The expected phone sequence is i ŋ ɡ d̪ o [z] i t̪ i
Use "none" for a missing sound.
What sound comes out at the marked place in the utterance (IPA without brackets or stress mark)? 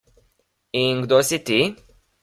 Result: s